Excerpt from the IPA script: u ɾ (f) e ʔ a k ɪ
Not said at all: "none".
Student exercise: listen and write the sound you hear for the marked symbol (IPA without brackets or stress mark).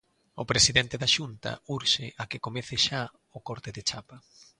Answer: ʃ